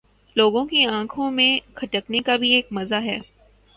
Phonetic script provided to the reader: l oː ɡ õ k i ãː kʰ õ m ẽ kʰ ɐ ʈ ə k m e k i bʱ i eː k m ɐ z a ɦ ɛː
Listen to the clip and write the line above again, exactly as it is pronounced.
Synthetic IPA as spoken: l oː ɡ õ k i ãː kʰ õ m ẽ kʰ ɐ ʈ ə k n e k a bʱ i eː k m ɐ z a ɦ ɛː